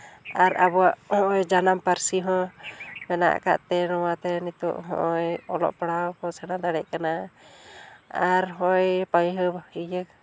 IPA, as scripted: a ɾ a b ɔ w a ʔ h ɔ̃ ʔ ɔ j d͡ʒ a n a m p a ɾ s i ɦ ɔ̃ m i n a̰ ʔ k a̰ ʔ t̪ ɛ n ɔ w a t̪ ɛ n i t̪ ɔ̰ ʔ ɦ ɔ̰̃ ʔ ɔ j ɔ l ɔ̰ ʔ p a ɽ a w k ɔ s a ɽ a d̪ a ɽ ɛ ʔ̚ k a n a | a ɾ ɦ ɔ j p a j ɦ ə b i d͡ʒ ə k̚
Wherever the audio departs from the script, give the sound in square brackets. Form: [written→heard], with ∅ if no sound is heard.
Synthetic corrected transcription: a ɾ a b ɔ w a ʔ h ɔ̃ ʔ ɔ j d͡ʒ a n a m p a ɾ s i ɦ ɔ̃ m [i→ɛ] n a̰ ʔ k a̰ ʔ t̪ ɛ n ɔ w a t̪ ɛ n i t̪ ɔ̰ ʔ ɦ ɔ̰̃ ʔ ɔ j ɔ l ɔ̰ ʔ p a ɽ a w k ɔ s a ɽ a d̪ a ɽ ɛ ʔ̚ k a n a | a ɾ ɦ ɔ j p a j ɦ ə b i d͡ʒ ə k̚